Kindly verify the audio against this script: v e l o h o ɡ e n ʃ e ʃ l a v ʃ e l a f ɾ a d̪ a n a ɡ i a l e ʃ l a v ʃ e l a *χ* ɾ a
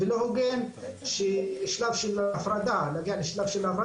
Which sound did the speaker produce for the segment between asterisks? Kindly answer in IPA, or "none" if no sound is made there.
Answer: f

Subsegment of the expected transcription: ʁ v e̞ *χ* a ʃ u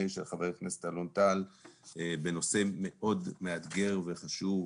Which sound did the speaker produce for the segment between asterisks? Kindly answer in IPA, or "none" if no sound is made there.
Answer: χ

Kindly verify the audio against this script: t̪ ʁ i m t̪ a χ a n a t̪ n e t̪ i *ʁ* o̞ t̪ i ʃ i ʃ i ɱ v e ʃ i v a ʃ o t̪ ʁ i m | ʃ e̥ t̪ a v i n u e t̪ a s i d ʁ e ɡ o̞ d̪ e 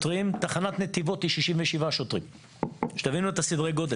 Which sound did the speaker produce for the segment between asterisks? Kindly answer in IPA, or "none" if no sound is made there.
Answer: v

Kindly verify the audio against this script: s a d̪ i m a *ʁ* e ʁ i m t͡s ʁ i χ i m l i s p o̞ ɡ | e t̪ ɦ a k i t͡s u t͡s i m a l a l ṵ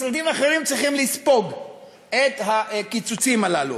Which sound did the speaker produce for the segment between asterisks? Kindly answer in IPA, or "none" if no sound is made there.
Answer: χ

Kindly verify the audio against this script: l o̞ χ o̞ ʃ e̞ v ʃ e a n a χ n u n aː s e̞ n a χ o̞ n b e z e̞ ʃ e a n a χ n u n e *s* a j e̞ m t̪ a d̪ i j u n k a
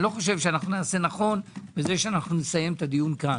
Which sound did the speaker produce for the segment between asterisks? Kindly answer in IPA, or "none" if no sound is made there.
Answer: s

